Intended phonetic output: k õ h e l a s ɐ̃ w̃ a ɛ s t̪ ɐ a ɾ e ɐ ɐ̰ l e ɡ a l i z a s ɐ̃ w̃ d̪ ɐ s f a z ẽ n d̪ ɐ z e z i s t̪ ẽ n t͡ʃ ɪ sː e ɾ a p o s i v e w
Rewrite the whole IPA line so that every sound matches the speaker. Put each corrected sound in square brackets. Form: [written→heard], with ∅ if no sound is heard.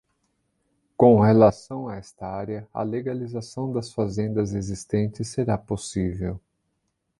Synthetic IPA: k õ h e l a s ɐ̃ w̃ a ɛ s t̪ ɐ a ɾ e ɐ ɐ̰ l e ɡ a l i z a s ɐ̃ w̃ d̪ ɐ s f a z ẽ n d̪ ɐ z e z i s t̪ ẽ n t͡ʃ ɪ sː e ɾ a p o s i v e w